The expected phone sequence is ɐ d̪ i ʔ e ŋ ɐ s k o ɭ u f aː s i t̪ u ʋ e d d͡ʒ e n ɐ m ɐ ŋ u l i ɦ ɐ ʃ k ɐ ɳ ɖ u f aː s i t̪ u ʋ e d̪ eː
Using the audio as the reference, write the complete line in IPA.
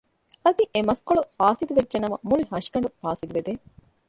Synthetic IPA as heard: ɐ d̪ i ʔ e m ɐ s k o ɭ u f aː s i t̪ u ʋ e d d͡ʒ e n ɐ m ɐ m u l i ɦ ɐ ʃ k ɐ ɳ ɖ u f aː s i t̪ u ʋ e d̪ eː